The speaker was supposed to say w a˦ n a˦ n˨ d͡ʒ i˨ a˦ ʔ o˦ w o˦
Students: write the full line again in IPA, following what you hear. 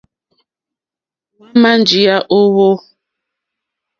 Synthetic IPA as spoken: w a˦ m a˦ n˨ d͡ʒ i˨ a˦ ʔ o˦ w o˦

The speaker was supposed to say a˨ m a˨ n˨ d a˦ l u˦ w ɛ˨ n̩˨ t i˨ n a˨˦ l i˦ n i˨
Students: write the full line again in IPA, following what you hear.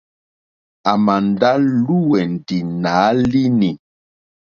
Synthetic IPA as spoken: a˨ m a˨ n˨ d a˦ l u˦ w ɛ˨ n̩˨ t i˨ n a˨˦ l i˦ n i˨

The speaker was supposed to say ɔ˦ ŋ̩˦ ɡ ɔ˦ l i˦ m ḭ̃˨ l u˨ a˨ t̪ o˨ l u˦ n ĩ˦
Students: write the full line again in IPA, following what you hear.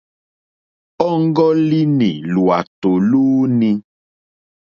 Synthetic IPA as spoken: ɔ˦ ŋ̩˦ ɡ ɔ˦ l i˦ n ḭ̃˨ l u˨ a˨ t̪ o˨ l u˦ n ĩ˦

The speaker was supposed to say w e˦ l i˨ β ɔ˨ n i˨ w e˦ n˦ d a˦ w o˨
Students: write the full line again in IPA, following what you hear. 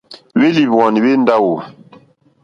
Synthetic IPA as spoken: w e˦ l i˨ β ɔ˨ n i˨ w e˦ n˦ d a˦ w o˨

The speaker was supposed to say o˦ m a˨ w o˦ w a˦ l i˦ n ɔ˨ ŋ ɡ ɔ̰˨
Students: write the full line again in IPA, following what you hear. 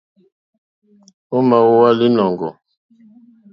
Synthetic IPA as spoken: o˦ m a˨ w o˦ w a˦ l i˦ n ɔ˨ ŋ ɡ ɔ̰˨

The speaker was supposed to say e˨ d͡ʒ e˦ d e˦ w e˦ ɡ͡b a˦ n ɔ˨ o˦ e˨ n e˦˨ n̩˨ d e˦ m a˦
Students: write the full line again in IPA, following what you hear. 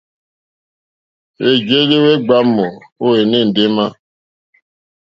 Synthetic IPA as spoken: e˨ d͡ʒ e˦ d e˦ w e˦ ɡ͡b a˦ m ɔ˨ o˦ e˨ n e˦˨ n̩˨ d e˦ m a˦

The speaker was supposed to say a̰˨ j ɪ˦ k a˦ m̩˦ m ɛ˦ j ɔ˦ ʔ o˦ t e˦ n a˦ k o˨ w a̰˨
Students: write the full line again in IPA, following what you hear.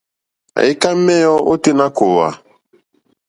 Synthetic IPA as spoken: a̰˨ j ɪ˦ k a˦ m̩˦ m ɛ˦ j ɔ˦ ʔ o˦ t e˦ n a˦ k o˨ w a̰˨

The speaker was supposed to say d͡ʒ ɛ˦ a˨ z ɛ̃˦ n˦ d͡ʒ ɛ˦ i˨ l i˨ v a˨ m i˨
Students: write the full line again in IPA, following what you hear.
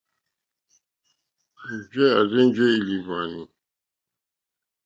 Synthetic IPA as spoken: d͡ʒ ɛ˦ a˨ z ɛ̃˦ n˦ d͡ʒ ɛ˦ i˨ l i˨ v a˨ n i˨

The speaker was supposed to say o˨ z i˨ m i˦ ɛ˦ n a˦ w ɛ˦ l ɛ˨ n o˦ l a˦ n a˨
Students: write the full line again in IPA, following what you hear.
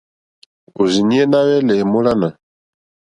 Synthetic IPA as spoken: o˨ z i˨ n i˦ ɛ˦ n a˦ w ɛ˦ l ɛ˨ m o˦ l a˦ n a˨

